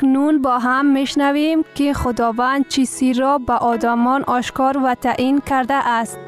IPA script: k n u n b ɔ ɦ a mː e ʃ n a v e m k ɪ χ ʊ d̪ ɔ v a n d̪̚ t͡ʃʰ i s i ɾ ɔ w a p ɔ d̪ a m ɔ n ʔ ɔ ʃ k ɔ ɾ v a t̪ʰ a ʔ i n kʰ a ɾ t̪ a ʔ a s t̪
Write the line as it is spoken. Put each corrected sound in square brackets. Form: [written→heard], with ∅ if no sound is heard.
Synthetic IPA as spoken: k n u n b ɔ ɦ a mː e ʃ n a v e m k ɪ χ ʊ d̪ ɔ v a n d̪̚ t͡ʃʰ i s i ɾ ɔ [w→b] a [p→ʔ] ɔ d̪ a m ɔ n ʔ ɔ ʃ k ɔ ɾ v a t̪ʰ a ʔ i n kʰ a ɾ [t̪→d̪] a ʔ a s t̪